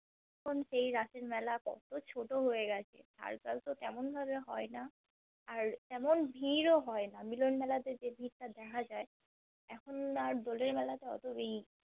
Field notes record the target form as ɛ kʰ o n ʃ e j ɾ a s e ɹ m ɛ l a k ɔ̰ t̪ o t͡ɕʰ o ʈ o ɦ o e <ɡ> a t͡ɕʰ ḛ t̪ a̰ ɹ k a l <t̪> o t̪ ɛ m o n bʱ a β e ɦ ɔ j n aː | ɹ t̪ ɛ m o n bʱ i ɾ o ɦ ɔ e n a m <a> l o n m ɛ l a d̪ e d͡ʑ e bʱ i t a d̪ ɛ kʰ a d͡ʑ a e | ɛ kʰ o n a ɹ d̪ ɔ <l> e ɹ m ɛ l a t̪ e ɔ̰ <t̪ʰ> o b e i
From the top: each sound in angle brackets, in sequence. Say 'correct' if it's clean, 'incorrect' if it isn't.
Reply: correct, correct, incorrect: i, correct, incorrect: t̪

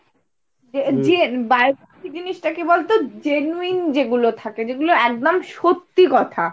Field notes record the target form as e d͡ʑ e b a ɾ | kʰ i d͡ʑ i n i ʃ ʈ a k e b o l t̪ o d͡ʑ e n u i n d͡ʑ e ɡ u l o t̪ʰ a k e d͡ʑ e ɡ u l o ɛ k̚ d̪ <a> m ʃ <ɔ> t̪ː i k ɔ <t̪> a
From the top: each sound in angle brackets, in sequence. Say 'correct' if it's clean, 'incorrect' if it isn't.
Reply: correct, incorrect: o, incorrect: t̪ʰ

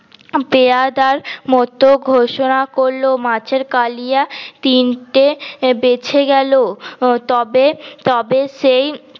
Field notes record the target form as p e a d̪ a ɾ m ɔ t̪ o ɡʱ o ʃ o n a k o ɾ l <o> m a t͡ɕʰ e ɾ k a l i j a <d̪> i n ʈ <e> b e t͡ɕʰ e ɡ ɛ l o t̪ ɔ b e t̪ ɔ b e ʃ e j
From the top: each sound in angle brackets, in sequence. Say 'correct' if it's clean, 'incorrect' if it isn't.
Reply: correct, incorrect: t̪, correct

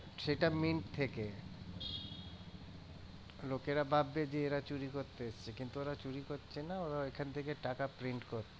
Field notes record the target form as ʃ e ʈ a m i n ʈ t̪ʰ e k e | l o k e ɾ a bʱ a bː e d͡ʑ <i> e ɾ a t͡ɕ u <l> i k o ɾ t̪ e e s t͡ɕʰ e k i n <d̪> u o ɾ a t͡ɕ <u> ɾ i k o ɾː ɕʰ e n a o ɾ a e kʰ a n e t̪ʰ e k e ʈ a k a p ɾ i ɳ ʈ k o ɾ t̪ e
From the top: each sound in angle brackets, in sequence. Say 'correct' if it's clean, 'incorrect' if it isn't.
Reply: incorrect: e, incorrect: ɾ, incorrect: t̪, correct

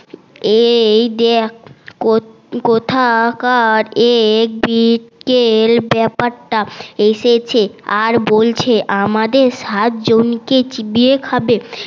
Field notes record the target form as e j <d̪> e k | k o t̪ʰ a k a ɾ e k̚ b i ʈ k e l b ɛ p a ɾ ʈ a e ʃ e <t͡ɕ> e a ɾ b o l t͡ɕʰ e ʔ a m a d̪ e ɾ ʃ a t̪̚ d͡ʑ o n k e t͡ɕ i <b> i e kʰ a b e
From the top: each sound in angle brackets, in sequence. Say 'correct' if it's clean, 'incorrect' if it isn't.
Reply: correct, incorrect: t͡ɕʰ, correct

